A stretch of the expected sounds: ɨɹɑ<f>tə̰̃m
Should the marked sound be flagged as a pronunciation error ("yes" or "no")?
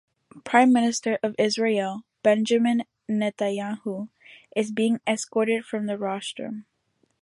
yes